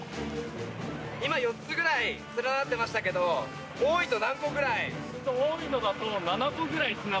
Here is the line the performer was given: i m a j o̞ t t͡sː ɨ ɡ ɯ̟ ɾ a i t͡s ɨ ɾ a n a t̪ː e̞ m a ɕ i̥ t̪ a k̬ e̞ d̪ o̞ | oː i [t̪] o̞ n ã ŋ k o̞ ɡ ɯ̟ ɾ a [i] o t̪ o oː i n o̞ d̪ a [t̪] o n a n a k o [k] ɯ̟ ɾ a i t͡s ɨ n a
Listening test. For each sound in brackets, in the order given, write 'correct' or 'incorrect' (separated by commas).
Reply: correct, correct, correct, incorrect